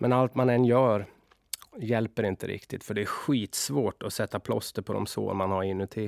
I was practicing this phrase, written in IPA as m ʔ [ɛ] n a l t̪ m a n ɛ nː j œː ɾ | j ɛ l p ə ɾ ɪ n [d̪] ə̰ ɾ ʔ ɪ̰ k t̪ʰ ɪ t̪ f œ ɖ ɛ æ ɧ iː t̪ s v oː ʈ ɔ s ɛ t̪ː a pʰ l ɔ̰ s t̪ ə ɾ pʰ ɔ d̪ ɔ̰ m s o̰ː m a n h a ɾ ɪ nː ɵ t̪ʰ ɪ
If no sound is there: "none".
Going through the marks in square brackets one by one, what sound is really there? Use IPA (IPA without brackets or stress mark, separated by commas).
ɛ, t̪